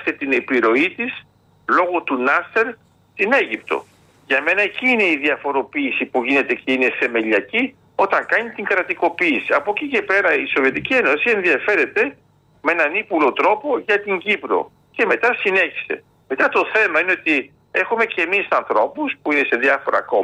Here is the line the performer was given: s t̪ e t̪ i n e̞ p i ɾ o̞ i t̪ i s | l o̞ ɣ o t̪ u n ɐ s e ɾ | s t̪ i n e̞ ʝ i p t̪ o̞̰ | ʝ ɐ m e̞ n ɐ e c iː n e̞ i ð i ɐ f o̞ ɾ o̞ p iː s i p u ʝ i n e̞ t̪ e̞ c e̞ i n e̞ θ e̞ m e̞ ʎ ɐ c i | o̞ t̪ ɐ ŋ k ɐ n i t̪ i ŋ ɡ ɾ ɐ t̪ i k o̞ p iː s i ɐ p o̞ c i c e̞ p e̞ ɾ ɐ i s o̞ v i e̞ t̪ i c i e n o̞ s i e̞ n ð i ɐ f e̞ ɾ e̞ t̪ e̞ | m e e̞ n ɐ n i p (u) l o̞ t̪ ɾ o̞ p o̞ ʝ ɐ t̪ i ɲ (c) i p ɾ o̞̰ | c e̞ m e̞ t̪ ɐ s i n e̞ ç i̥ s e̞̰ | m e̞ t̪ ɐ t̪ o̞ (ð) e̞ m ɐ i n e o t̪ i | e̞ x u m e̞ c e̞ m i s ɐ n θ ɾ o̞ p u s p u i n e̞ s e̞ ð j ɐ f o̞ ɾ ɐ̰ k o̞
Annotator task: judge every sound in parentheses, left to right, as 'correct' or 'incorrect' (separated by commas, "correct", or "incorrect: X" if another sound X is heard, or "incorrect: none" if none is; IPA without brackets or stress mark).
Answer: correct, incorrect: ɟ, incorrect: θ